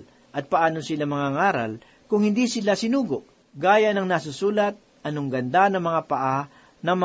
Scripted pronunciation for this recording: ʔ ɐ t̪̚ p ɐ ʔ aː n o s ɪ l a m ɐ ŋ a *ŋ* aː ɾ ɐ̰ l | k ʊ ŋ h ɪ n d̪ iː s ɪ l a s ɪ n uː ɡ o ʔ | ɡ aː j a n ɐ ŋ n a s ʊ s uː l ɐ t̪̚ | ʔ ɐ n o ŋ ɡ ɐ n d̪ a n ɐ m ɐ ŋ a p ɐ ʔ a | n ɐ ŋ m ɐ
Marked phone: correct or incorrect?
correct